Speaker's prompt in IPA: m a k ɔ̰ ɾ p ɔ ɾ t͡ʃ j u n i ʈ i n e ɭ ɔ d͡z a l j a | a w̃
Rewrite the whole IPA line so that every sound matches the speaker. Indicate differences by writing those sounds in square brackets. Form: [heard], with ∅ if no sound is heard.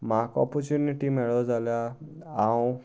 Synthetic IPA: m a k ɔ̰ [∅] p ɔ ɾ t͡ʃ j u n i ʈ i [m] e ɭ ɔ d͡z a l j a | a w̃